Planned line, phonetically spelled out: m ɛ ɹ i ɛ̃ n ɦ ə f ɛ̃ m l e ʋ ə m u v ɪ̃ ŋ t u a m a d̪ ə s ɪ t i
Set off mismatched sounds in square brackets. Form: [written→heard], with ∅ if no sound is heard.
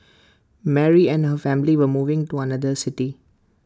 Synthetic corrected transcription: m ɛ ɹ i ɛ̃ n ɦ ə f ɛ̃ m l [e→i] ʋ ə m u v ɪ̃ ŋ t u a [m→n] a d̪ ə s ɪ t i